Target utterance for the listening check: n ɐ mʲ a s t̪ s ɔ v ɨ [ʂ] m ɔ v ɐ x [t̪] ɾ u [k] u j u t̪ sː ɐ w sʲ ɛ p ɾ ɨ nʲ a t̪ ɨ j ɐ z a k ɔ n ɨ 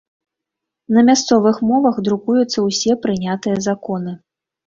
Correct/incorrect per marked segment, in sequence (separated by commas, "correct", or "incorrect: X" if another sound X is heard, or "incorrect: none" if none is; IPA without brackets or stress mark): incorrect: x, incorrect: d̪, correct